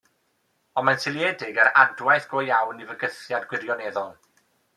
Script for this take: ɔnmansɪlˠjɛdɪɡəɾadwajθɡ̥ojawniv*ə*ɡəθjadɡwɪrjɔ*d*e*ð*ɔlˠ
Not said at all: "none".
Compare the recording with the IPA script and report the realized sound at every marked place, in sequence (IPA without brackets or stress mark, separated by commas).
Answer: ə, n, ð